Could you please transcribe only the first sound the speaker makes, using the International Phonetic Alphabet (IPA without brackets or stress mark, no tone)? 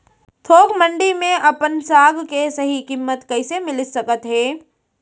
t̪ʰ